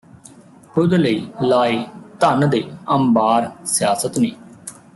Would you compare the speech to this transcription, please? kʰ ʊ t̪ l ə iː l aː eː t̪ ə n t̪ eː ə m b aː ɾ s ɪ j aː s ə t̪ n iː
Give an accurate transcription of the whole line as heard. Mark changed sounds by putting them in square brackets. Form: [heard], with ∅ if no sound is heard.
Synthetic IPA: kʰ ʊ [d̪] l ə iː l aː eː t̪ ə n [d̪] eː ə m b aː ɾ s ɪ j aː s ə t̪ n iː